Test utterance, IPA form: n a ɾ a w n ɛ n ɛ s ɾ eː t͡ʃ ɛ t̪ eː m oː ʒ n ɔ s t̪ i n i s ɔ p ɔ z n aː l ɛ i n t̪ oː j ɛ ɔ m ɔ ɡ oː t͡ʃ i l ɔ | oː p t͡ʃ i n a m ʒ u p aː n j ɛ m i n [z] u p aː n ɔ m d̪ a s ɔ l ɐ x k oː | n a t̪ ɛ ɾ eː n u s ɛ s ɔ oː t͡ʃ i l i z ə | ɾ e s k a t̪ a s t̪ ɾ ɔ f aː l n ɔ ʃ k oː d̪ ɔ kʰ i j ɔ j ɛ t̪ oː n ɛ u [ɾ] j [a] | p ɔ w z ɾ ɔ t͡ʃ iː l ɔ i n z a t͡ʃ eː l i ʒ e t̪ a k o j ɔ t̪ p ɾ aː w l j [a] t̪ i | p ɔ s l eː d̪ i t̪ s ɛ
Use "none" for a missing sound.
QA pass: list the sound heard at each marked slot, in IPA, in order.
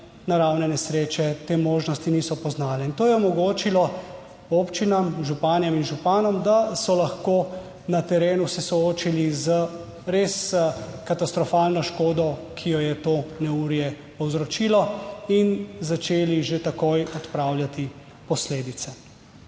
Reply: ʒ, ɾ, ɛ, a

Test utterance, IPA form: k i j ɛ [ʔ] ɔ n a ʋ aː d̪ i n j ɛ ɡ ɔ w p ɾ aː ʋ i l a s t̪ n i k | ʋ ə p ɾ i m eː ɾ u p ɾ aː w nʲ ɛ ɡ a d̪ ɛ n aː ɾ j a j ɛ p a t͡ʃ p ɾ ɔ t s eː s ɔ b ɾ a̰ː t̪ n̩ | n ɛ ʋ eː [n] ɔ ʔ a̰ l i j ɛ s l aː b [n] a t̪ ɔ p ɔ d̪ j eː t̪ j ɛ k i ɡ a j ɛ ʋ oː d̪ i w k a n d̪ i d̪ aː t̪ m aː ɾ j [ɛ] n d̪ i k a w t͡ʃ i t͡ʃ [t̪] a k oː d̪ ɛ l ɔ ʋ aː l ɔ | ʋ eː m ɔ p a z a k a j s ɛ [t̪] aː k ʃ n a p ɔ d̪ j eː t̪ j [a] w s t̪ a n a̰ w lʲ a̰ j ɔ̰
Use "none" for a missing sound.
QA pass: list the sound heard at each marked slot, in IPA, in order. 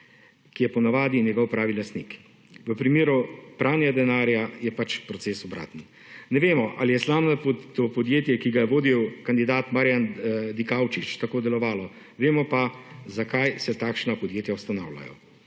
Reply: p, m, n, a, t̪, t̪, a

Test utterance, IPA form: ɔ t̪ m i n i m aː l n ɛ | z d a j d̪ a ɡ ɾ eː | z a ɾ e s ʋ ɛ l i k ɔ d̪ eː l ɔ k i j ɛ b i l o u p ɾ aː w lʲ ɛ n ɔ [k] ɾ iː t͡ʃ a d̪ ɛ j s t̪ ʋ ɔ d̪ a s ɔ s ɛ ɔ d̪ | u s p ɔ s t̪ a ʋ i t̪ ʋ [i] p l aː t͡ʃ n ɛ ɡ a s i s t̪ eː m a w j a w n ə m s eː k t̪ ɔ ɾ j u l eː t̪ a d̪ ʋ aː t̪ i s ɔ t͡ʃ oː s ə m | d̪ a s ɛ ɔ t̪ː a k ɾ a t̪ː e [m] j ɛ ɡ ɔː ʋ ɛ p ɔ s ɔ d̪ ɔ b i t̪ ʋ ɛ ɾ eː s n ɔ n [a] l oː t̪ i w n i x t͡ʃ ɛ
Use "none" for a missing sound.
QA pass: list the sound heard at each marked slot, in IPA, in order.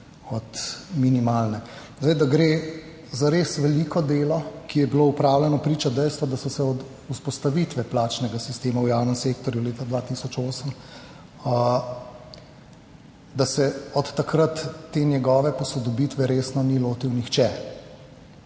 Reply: p, ɛ, n, i

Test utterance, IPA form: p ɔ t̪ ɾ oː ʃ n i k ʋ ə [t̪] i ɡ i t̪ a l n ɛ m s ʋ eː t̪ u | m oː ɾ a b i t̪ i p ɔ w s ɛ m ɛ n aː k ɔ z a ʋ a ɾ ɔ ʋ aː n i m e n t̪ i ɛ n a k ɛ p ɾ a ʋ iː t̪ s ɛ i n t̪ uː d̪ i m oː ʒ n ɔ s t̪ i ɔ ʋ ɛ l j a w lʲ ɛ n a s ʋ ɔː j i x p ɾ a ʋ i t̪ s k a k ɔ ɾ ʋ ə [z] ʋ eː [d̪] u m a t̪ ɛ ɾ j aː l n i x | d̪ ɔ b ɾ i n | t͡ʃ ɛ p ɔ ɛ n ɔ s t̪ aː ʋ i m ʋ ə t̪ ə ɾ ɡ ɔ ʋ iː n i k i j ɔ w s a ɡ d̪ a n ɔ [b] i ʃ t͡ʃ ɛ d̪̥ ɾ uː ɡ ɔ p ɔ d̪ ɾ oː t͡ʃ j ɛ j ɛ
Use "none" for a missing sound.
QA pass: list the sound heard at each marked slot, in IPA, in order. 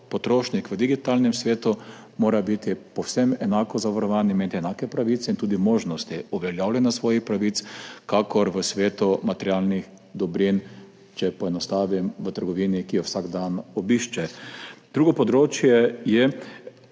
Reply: d̪, s, t̪, b

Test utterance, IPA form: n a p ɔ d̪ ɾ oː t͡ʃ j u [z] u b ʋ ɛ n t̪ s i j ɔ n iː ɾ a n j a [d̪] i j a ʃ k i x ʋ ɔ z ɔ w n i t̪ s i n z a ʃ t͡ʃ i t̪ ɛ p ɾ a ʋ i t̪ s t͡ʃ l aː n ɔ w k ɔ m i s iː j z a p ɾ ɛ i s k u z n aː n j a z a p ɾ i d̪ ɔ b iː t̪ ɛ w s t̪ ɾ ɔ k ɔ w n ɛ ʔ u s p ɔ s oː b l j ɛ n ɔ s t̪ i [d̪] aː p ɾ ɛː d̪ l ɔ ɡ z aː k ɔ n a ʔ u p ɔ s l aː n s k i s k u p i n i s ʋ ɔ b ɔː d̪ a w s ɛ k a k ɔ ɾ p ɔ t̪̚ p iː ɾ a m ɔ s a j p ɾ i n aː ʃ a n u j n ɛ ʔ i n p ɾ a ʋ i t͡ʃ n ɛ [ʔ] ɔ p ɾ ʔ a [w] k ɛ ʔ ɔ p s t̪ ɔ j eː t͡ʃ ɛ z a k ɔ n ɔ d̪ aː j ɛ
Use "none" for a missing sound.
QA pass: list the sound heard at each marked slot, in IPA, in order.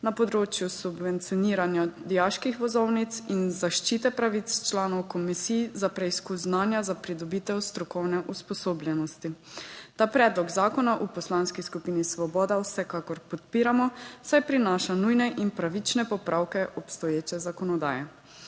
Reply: s, d̪, t̪, p, w

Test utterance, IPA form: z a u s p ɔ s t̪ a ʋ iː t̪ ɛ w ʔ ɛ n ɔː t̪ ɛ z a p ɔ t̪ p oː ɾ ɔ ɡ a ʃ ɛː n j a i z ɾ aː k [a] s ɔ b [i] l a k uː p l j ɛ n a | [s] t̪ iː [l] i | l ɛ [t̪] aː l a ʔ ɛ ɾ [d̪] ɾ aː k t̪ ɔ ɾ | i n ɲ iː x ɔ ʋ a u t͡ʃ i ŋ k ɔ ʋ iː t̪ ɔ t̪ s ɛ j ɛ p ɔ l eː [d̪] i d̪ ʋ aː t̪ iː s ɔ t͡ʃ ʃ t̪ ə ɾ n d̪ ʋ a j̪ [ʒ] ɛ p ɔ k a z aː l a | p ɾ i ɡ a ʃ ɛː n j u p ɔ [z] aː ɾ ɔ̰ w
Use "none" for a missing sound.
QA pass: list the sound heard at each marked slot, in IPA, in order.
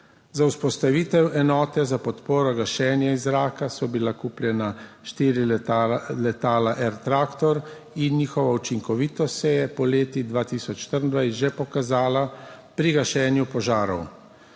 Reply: a, i, ʃ, ɾ, t̪, t̪, t̪, ʒ, ʒ

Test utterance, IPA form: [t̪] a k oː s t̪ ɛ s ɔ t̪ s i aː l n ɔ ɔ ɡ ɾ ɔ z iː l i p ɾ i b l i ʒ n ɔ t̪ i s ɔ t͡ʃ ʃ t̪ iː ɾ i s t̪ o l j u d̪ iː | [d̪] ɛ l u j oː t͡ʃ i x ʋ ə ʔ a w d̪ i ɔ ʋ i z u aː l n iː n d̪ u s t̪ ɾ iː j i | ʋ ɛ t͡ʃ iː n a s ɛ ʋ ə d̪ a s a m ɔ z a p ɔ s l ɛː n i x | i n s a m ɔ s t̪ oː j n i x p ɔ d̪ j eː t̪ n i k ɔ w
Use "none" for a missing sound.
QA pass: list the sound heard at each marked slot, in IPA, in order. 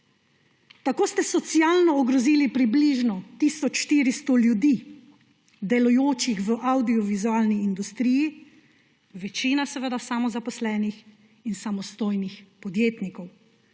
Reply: t̪, d̪

